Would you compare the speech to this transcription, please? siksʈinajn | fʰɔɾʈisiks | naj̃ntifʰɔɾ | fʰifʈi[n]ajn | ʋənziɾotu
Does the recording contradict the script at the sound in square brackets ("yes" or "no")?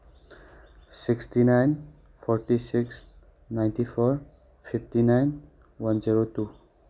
no